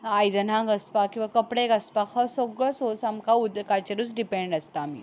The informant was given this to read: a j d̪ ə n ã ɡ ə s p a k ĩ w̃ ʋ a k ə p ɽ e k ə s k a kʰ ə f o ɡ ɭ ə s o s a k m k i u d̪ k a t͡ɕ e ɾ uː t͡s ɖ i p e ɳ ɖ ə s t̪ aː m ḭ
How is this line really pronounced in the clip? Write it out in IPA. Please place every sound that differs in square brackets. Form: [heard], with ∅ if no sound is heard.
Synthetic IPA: a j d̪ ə n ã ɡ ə s p a k ĩ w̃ ʋ a k ə p ɽ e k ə s [p] a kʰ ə [s] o ɡ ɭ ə s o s a [∅] m k [a] u d̪ k a t͡ɕ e ɾ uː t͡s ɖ i p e ɳ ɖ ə s t̪ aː m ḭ